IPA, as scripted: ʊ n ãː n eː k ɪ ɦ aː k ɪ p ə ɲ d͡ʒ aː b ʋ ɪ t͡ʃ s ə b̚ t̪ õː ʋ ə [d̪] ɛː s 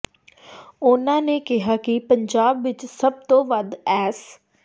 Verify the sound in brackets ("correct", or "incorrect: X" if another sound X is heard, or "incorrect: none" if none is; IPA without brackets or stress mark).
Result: correct